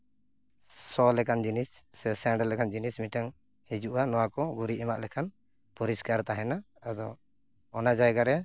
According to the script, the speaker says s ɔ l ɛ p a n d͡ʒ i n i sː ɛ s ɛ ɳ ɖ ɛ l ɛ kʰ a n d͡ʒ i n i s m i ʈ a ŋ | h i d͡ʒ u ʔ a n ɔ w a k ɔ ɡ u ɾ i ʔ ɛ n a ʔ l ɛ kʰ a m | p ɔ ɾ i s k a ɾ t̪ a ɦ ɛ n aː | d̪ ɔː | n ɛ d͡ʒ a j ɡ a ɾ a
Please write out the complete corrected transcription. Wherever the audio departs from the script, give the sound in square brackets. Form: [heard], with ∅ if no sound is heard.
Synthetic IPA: s ɔ l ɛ [k] a n d͡ʒ i n i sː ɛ s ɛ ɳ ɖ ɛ l ɛ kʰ a n d͡ʒ i n i s m i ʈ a ŋ | h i d͡ʒ u ʔ a n ɔ w a k ɔ ɡ u ɾ i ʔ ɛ [m] a ʔ l ɛ kʰ a [n] | p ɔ ɾ i s k a ɾ t̪ a ɦ ɛ n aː | d̪ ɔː | n [a] d͡ʒ a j ɡ a ɾ [ɛ]